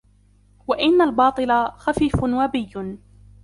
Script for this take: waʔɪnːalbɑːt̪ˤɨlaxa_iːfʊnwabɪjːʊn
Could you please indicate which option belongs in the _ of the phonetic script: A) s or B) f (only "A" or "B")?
B